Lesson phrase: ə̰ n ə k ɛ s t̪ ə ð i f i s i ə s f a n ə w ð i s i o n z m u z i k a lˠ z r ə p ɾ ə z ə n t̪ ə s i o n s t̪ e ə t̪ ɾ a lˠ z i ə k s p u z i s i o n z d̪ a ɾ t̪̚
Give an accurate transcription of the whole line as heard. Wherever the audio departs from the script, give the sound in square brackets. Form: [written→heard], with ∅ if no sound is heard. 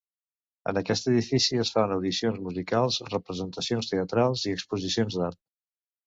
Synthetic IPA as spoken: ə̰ n ə k ɛ s t̪ ə ð i f i s i ə s f a n ə w ð i s i o n z m u z i k a lˠ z r ə p ɾ ə z ə n t̪ ə s i o n s t̪ e ə t̪ ɾ a lˠ z i ə k s p u z i s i o n z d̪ a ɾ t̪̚